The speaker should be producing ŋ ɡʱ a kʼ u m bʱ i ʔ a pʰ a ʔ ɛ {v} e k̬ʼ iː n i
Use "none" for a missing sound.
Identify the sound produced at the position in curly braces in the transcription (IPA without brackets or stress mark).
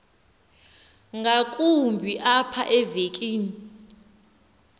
v